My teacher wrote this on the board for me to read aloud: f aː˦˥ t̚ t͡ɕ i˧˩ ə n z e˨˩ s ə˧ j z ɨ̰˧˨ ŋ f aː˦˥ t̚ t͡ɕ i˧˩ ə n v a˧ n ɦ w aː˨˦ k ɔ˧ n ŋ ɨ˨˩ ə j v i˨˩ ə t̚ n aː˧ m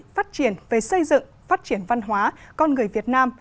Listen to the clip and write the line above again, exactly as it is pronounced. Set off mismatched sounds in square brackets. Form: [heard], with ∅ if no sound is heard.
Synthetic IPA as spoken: f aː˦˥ t̚ t͡ɕ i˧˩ ə n [v] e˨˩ s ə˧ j z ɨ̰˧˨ ŋ f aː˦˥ t̚ t͡ɕ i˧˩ ə n v a˧ n ɦ w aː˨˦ k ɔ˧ n ŋ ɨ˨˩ ə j v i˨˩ ə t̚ n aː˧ m

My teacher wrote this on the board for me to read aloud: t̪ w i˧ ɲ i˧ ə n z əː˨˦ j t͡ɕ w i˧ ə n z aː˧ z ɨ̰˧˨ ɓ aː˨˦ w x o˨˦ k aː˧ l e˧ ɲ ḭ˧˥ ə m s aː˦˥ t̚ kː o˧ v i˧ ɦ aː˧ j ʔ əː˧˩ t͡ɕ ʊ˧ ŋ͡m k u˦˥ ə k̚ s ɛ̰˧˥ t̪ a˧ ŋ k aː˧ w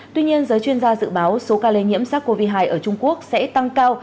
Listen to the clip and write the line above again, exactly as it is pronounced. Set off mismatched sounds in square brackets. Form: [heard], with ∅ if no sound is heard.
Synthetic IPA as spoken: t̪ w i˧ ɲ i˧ ə n z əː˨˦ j t͡ɕ w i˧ ə n z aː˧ z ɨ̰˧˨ ɓ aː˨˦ w [s] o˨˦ k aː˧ l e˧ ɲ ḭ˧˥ ə m s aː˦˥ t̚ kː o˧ v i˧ ɦ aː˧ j ʔ əː˧˩ t͡ɕ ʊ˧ ŋ͡m k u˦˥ ə k̚ s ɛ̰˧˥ t̪ a˧ ŋ k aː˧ w

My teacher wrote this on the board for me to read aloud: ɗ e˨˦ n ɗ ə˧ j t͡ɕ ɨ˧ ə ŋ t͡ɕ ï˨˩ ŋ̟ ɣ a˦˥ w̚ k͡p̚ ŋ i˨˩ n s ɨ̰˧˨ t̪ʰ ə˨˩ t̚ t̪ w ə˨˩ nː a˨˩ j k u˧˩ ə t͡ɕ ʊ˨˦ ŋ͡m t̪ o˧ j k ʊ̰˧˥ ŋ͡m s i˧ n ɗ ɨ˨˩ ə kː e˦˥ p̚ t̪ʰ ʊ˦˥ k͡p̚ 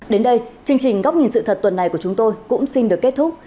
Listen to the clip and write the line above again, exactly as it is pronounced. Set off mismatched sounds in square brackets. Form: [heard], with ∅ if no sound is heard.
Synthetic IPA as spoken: ɗ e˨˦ n ɗ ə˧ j t͡ɕ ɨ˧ ə ŋ t͡ɕ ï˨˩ ŋ̟ ɣ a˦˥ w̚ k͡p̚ [ɲ] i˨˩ n s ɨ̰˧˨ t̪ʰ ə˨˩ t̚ t̪ w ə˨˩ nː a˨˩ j k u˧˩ ə t͡ɕ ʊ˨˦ ŋ͡m t̪ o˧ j k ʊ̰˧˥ ŋ͡m s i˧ n ɗ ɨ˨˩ ə kː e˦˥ [t̚] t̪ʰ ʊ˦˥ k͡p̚

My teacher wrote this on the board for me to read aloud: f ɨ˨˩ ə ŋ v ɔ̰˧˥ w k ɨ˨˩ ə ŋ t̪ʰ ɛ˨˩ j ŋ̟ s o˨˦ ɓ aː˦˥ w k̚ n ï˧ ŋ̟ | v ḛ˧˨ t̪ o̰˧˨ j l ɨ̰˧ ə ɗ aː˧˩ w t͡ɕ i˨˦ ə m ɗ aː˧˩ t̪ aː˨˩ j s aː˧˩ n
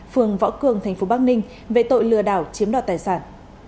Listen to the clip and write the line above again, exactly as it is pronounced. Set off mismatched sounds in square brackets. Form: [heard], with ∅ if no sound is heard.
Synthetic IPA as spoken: f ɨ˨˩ ə ŋ v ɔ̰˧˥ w k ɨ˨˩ ə ŋ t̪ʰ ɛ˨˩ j ŋ̟ [f] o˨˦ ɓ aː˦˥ [∅] k̚ n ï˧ ŋ̟ | v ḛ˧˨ t̪ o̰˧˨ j l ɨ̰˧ ə ɗ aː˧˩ w t͡ɕ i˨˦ ə m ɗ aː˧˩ t̪ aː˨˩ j s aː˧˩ n

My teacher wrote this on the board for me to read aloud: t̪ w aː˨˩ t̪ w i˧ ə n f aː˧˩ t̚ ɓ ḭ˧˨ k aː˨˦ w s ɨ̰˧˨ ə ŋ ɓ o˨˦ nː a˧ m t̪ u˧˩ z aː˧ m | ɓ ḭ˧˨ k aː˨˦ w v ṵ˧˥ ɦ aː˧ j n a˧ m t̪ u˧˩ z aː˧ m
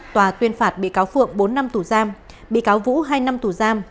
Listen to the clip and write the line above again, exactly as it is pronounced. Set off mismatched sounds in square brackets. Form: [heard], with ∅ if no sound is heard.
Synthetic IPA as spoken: t̪ w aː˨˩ t̪ w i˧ ə n f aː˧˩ t̚ ɓ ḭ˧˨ k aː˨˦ w [f] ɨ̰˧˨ ə ŋ ɓ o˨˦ nː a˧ m t̪ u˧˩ z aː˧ m | ɓ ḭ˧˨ k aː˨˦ w v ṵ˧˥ ɦ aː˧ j n a˧ m t̪ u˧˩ z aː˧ m

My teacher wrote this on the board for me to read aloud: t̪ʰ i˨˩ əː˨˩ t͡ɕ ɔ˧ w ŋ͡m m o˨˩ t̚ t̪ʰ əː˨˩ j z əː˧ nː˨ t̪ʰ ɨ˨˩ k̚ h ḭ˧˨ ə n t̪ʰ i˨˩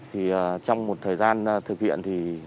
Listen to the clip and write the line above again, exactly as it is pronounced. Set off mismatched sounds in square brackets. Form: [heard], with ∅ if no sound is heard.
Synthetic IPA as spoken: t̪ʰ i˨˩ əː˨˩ t͡ɕ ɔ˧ w ŋ͡m m o˨˩ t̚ t̪ʰ əː˨˩ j z [aː˧] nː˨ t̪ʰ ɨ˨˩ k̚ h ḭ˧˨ ə n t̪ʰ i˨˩

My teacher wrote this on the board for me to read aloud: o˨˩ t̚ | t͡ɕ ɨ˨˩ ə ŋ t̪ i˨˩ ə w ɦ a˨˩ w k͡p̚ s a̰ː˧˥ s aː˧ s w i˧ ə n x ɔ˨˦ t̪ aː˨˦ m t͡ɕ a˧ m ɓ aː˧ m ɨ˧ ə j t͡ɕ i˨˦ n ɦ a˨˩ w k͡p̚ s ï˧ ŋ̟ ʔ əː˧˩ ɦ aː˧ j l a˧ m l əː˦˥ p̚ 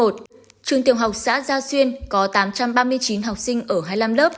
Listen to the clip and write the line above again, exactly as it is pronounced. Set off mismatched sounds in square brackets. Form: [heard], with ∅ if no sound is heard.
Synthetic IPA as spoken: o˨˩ t̚ | t͡ɕ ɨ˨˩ ə ŋ t̪ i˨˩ ə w ɦ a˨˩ w k͡p̚ s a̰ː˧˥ [z] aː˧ s w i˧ ə n [k] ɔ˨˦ t̪ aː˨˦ m t͡ɕ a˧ m ɓ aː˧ m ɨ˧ ə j t͡ɕ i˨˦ n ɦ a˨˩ w k͡p̚ s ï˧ ŋ̟ ʔ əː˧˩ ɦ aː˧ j l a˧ m l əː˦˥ p̚

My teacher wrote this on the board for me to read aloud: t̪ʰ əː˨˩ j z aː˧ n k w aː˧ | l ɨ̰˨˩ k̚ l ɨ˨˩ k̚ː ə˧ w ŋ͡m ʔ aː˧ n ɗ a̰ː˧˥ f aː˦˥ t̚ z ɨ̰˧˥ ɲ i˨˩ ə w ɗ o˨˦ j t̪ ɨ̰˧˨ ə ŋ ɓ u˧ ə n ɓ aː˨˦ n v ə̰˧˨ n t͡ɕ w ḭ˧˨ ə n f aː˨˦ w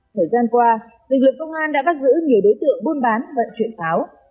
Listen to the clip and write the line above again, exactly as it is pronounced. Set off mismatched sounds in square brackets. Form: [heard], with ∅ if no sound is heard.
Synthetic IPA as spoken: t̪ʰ əː˨˩ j z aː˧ n k w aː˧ | l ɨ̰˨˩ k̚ l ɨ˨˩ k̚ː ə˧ w ŋ͡m ʔ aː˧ n ɗ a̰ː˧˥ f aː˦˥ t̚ z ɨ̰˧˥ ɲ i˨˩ ə w ɗ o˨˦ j t̪ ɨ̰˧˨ ə ŋ ɓ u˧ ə n ɓ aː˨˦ n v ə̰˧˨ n t͡ɕ w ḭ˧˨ ə n f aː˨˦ w

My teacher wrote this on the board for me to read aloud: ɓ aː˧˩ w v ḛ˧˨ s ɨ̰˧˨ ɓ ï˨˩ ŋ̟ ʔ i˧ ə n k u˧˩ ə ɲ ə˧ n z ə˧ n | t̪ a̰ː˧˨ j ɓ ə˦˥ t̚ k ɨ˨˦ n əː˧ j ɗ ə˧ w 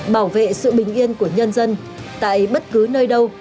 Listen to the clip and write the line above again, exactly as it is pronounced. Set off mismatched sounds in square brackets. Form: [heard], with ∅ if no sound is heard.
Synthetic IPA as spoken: ɓ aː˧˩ w v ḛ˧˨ s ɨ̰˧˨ ɓ ï˨˩ ŋ̟ ʔ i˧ ə n k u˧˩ ə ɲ ə˧ n z ə˧ n | t̪ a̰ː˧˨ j ɓ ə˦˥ t̚ k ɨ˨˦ n əː˧ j ɗ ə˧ w

